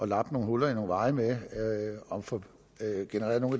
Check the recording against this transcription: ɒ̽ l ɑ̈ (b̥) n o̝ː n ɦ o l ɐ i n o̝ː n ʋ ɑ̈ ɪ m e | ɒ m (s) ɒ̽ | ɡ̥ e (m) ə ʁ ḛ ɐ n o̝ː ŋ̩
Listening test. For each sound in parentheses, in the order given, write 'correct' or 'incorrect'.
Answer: correct, incorrect, incorrect

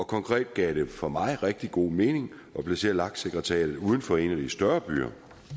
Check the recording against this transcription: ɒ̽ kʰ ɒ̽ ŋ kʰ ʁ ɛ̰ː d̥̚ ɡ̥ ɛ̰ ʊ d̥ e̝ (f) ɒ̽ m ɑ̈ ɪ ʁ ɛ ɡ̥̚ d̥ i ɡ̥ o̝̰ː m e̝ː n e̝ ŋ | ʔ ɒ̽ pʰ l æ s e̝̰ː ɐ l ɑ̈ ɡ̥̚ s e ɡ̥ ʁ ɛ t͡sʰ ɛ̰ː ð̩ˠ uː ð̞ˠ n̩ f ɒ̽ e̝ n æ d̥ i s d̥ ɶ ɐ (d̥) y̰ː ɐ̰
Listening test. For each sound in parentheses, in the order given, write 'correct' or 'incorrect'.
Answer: correct, incorrect

